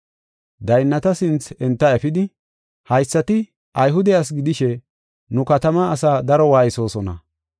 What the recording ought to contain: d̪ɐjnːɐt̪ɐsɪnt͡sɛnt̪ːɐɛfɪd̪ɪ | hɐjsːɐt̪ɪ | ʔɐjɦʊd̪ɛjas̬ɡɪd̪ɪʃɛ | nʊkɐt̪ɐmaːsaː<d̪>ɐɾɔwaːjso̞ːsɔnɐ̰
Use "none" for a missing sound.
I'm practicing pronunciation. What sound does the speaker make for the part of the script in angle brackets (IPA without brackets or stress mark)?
d̪